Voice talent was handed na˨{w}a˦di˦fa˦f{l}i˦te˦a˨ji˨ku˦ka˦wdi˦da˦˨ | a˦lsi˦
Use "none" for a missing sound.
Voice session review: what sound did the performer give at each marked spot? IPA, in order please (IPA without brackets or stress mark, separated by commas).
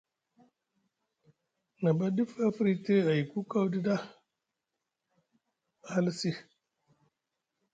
b, ɾ